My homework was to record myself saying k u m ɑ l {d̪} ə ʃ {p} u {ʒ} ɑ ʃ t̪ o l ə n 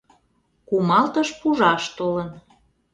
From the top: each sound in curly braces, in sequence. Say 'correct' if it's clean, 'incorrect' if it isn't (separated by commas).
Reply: incorrect, correct, correct